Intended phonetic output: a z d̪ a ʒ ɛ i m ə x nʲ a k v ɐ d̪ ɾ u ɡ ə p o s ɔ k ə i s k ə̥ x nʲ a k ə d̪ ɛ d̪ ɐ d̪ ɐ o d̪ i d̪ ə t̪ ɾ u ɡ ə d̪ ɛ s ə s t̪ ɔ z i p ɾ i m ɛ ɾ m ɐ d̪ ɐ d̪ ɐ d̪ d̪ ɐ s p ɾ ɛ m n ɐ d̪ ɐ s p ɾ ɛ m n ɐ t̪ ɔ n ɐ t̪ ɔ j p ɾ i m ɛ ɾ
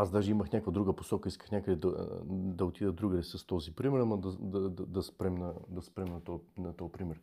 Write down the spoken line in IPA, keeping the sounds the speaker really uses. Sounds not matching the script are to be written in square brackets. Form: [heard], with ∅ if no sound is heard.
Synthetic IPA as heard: a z d̪ a ʒ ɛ i m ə x nʲ a k v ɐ d̪ ɾ u ɡ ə p o s ɔ k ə i s k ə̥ x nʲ a k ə d̪ ɛ d̪ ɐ d̪ ɐ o [t̪] i d̪ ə [d̪] ɾ u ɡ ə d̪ ɛ s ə s t̪ ɔ z i p ɾ i m ɛ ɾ m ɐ d̪ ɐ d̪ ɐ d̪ d̪ ɐ s p ɾ ɛ m n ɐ d̪ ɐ s p ɾ ɛ m n ɐ t̪ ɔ n ɐ t̪ ɔ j p ɾ i m ɛ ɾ